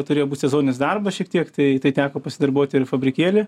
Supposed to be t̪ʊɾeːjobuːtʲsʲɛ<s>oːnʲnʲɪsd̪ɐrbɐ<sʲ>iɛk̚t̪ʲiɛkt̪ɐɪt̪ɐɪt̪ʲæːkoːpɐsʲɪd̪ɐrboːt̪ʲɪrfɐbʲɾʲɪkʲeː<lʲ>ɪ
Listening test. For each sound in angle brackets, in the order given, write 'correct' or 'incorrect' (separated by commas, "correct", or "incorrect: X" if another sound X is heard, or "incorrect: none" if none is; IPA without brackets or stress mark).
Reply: incorrect: z, incorrect: ʃʲ, correct